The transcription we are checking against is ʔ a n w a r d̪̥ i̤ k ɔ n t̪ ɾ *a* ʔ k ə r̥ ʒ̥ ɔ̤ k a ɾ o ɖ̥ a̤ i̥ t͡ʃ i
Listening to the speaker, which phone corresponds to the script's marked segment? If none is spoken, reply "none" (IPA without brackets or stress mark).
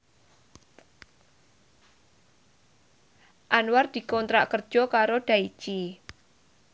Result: a